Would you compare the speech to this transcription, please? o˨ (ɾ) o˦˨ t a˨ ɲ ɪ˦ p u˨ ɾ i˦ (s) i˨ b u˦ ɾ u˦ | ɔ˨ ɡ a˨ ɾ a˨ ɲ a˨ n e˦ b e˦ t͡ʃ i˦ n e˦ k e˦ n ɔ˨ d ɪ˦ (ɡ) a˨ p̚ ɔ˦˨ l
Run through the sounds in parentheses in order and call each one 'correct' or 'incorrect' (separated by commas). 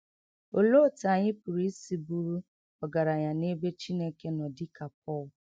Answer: incorrect, correct, incorrect